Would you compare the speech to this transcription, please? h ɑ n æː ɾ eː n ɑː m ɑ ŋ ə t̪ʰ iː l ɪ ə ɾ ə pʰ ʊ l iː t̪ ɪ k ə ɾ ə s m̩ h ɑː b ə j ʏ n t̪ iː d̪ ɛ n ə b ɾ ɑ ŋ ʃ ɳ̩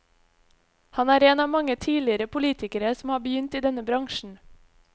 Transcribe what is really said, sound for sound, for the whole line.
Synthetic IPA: h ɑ n æː ɾ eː n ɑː m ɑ ŋ ə t̪ʰ iː l ɪ ə ɾ ə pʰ ʊ l iː t̪ ɪ k ə ɾ ə s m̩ h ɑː b ə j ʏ n t̪ iː d̪ ɛ n ə b ɾ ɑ ŋ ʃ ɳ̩